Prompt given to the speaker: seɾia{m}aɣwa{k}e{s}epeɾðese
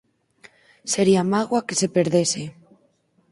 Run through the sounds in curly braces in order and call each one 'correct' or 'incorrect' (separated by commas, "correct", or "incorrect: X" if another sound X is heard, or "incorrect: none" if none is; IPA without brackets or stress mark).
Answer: correct, correct, correct